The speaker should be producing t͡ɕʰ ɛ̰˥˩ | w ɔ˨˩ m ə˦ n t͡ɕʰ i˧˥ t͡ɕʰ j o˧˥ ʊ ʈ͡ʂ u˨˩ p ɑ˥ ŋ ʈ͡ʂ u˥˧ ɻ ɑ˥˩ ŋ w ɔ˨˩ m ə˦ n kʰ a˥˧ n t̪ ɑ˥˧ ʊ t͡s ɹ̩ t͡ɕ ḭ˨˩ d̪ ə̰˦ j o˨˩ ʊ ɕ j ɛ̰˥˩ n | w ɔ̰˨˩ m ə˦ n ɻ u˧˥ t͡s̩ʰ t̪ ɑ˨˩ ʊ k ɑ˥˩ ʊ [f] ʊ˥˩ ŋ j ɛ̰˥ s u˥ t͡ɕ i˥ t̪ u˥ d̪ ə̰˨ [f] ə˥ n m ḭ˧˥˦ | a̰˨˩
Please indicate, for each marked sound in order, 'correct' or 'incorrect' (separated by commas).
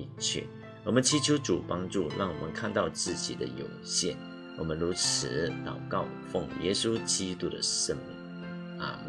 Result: correct, incorrect